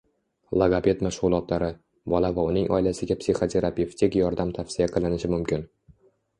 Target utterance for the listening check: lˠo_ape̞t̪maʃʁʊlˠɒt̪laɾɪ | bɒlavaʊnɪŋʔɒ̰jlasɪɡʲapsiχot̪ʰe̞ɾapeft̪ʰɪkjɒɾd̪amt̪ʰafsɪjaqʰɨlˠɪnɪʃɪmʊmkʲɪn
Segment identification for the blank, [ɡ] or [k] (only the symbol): ɡ